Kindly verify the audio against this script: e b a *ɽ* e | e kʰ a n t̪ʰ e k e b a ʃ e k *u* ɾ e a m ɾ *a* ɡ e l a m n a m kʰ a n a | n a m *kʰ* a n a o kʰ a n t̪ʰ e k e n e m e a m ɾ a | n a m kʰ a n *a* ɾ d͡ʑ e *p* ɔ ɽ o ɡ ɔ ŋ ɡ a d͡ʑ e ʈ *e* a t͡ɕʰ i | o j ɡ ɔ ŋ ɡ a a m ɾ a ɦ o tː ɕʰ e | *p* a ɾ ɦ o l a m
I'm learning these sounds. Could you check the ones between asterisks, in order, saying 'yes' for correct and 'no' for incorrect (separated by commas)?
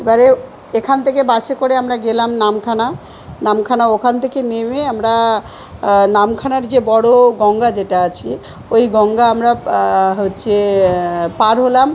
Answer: no, no, yes, yes, yes, no, no, yes